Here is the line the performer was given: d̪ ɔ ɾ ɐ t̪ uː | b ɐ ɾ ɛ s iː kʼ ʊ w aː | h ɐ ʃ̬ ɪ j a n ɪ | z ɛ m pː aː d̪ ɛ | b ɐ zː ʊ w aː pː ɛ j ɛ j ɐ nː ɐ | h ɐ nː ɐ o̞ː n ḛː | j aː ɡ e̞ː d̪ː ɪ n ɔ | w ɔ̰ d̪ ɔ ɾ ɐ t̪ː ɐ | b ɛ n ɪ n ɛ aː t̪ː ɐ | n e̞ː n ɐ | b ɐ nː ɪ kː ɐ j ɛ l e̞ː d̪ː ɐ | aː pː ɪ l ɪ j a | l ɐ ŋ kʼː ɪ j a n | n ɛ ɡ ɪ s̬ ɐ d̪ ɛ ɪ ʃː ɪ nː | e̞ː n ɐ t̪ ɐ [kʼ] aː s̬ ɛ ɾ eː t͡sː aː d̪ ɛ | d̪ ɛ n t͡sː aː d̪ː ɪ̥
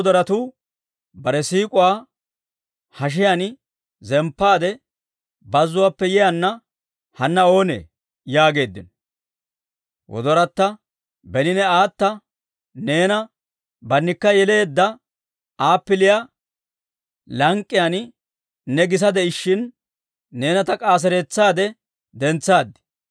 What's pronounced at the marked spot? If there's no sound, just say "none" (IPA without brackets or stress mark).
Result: kʼ